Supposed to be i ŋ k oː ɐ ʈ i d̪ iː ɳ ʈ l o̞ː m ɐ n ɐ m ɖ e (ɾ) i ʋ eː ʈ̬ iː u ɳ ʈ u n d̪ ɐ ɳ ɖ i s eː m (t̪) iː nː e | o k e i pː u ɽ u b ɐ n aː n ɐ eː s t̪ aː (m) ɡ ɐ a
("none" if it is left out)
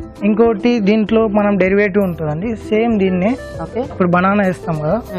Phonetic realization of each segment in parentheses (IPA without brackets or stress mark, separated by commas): ɾ, d̪, m